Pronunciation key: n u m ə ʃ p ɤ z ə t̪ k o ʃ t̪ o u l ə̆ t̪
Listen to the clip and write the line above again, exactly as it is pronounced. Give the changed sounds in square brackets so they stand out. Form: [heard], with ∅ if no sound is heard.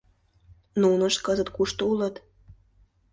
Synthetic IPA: n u [n] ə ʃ [k] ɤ z ə t̪ k [u] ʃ t̪ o u l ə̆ t̪

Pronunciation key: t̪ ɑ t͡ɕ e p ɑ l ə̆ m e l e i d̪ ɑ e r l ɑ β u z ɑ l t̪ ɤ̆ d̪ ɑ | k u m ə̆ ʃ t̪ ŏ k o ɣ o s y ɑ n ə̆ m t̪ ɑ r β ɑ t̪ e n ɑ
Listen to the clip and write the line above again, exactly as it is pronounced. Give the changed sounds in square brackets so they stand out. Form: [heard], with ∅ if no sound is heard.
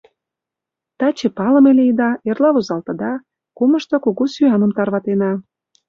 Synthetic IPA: t̪ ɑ t͡ɕ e p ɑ l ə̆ m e l e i d̪ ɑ e r l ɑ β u z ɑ l t̪ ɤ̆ d̪ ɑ | k u m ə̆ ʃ t̪ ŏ k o ɣ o s y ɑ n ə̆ m t̪ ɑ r β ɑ t̪ e n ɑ

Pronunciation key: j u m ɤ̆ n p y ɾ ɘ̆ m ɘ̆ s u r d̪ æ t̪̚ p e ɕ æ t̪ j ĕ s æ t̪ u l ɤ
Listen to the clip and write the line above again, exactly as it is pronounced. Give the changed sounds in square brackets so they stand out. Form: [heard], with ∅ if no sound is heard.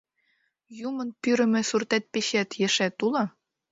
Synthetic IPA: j u m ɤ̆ n p y ɾ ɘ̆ m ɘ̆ s u r [t̪] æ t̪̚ p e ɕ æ t̪ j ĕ [ʃ] æ t̪ u l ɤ

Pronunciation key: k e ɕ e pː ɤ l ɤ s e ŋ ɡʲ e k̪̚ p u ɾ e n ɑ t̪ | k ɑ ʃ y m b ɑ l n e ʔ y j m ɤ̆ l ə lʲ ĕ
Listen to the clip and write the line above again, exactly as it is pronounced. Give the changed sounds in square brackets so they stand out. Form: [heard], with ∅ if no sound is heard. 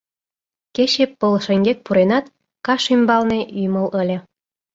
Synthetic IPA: k e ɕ e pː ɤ l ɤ [ʃ] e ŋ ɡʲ e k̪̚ p u ɾ e n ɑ t̪ | k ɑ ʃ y m b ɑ l n e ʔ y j m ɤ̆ l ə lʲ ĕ

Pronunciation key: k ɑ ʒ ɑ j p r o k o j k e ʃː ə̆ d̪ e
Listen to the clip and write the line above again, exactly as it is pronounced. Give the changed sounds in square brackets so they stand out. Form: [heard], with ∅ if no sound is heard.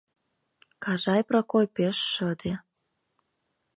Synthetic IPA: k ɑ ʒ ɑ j p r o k o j [p] e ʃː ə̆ d̪ e

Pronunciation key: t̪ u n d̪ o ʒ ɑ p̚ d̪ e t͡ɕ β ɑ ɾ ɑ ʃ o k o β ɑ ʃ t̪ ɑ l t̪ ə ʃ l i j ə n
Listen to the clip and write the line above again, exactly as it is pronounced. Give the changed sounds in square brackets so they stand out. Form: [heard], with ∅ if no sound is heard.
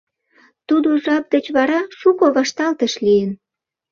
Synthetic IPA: t̪ u [∅] d̪ o ʒ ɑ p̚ d̪ e t͡ɕ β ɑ ɾ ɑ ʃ [u] k o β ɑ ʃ t̪ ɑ l t̪ ə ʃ l i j ə n

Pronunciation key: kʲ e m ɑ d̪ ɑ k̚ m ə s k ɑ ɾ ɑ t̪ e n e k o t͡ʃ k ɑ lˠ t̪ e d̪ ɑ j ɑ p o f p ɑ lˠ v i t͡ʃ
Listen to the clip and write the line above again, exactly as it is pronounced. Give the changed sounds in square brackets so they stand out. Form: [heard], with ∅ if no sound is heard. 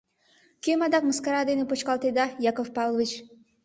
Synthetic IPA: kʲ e m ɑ d̪ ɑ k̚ m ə s k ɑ ɾ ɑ [d̪] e n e [p] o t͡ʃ k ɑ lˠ t̪ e d̪ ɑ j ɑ [k] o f p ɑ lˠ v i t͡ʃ

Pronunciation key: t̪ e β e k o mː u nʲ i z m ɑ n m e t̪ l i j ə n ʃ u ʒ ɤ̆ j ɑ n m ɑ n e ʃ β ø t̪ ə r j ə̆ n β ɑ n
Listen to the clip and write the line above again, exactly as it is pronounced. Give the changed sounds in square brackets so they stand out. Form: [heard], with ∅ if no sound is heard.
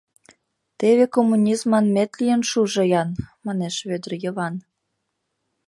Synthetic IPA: t̪ e β e k o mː u nʲ i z m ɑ n m e t̪ l i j ə n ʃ u ʒ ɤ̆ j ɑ n m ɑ n e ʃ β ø [d̪] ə r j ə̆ [∅] β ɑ n

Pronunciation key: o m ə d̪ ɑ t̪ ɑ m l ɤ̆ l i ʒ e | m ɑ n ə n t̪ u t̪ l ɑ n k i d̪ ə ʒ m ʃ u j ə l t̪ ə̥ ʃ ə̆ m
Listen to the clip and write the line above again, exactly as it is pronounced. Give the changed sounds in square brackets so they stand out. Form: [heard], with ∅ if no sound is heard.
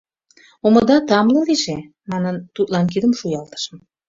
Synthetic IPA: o m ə d̪ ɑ t̪ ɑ m l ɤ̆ l i ʒ e | m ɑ n ə n t̪ u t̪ l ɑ n k i d̪ ə [∅] m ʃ u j [ɑ] l t̪ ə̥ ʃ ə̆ m

